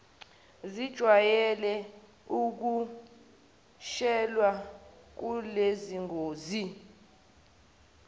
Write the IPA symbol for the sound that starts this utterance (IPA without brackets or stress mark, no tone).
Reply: z